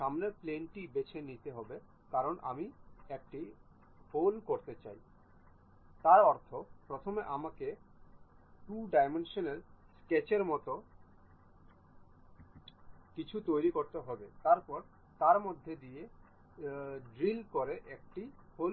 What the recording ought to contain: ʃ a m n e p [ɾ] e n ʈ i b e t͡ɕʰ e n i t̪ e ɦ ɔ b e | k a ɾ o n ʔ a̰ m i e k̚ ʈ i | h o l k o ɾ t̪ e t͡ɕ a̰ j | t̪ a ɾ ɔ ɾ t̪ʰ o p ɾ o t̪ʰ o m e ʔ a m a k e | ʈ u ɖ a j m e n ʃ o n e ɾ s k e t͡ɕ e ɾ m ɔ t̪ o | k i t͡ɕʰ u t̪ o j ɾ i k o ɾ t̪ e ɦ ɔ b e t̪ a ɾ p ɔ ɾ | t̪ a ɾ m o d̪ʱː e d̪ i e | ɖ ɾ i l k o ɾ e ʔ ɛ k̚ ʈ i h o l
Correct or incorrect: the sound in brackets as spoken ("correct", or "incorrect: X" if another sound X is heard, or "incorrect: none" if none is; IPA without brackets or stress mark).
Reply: incorrect: l